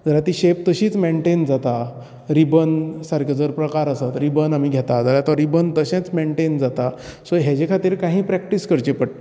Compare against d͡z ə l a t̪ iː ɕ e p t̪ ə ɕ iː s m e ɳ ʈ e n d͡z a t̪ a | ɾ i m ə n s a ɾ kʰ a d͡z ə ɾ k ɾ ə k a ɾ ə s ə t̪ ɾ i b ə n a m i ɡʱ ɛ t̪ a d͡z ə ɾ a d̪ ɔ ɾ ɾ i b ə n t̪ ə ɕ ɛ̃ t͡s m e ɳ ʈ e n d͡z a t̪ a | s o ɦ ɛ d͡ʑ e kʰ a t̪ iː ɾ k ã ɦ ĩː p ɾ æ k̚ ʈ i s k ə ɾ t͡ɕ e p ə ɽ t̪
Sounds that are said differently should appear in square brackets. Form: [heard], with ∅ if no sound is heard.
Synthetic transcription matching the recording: d͡z ə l a t̪ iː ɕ e p t̪ ə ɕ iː [t͡s] m e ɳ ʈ e n d͡z a t̪ a | ɾ i [b] ə n s a ɾ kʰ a d͡z ə ɾ [p] ɾ ə k a ɾ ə s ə t̪ ɾ i b ə n a m i ɡʱ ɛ t̪ a d͡z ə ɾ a [t̪] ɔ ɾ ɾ i b ə n t̪ ə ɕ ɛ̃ t͡s m e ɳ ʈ e n d͡z a t̪ a | s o ɦ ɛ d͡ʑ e kʰ a t̪ iː ɾ k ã ɦ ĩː p ɾ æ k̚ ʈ i s k ə ɾ t͡ɕ e p ə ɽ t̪